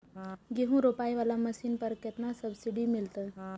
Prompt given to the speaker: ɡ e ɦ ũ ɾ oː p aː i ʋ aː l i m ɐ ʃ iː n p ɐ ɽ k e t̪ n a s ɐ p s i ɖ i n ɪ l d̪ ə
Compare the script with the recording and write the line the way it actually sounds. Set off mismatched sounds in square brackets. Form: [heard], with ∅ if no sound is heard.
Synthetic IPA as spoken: ɡ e ɦ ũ ɾ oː p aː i ʋ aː l [a] m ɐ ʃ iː n p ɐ [ɾ] k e t̪ n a s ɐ [b] s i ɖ i [m] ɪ l [t̪] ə